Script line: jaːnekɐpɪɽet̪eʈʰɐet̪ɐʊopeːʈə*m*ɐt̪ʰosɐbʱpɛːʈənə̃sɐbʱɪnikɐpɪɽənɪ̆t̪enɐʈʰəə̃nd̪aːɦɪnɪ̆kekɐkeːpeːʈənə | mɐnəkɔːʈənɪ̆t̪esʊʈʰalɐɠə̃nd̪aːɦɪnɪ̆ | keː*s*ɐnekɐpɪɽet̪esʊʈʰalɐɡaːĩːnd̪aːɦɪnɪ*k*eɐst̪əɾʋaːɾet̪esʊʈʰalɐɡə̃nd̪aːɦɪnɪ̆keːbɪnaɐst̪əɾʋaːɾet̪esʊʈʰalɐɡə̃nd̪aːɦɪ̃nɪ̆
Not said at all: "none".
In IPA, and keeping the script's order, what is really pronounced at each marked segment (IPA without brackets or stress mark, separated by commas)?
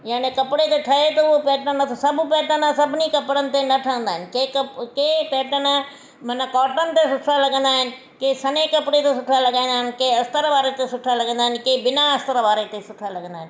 n, s, k